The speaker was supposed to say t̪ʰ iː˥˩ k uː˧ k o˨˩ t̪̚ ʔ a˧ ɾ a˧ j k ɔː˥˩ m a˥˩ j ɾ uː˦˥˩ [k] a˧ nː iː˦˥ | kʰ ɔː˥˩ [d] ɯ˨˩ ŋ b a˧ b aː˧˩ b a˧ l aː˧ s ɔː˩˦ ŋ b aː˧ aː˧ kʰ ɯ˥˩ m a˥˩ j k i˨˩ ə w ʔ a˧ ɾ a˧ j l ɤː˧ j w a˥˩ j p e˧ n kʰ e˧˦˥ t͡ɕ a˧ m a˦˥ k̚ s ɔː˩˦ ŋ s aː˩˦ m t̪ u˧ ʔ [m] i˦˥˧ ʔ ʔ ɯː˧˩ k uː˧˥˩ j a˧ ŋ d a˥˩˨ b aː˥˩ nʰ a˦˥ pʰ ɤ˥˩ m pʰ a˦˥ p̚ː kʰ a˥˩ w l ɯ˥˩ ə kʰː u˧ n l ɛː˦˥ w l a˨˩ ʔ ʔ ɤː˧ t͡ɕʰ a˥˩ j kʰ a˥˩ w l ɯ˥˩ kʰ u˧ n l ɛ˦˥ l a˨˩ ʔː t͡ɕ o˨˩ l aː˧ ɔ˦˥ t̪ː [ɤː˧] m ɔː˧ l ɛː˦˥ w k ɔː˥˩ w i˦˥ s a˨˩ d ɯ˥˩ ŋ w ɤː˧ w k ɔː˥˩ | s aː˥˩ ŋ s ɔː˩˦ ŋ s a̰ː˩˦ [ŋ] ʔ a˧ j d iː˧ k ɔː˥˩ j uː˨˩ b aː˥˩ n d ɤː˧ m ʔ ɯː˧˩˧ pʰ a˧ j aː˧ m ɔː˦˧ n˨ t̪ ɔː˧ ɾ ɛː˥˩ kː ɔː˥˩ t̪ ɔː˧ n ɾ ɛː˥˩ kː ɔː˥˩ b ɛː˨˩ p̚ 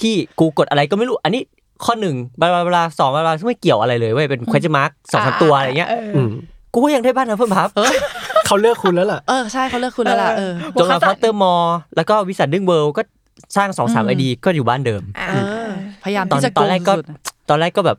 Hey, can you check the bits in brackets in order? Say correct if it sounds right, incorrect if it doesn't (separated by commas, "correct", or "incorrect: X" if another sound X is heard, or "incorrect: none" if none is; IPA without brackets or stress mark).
incorrect: ʔ, incorrect: n, incorrect: ŋ, incorrect: ɤː˥˩, incorrect: m